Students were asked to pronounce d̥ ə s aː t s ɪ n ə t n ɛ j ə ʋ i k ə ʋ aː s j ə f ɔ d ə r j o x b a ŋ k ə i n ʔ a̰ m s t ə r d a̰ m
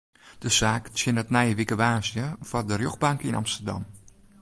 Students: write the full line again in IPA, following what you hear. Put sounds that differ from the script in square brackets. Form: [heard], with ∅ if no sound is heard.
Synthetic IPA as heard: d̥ ə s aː [k] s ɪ n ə t n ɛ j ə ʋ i k ə ʋ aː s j ə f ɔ d ə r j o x b a ŋ k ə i n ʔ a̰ m s t ə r d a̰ m